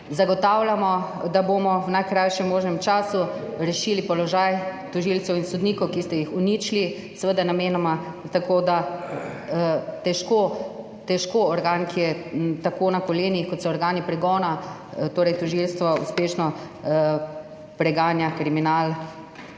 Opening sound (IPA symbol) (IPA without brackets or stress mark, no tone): z